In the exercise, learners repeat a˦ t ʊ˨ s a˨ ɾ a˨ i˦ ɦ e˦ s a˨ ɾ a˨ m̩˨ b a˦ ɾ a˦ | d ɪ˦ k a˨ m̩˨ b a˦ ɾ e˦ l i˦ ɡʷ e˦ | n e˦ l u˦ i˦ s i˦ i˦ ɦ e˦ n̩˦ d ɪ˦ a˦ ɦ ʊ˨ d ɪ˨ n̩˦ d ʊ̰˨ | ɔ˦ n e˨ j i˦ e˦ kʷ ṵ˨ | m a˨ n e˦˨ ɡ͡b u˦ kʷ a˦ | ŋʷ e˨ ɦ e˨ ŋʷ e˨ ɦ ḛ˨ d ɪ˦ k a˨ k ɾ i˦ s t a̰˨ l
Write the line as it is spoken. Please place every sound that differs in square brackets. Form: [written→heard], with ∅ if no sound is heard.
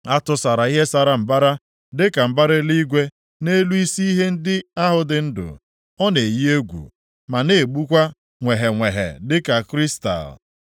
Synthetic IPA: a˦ t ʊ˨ s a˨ ɾ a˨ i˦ ɦ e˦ s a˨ ɾ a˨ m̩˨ b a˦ ɾ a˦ | d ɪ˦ k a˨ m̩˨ b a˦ ɾ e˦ l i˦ ɡʷ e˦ | n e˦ l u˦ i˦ s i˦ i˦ ɦ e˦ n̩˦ d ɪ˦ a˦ ɦ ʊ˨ d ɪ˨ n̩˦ d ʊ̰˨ | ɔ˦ n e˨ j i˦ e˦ [kʷ→ɡʷ] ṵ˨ | m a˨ n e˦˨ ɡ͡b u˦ kʷ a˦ | ŋʷ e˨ ɦ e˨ ŋʷ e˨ ɦ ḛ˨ d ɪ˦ k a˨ k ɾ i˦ s t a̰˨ l